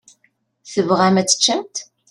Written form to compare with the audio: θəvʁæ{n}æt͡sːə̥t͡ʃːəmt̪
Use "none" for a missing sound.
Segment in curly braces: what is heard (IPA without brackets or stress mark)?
m